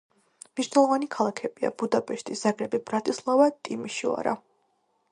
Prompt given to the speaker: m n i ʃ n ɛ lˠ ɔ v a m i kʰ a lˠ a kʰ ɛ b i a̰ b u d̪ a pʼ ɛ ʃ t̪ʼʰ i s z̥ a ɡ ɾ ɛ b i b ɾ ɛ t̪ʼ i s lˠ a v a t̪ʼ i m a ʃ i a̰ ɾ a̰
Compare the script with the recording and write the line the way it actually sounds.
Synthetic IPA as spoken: m n i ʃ n ɛ lˠ ɔ v a n i kʰ a lˠ a kʰ ɛ b i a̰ b u d̪ a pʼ ɛ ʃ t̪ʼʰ i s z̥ a ɡ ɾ ɛ b i b ɾ a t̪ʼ i s lˠ a v a t̪ʼ i m i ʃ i a̰ ɾ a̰